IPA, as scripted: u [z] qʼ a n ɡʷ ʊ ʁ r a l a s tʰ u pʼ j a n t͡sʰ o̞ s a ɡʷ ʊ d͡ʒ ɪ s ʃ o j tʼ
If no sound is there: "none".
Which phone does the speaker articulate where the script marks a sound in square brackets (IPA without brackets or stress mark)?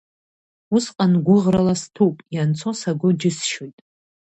s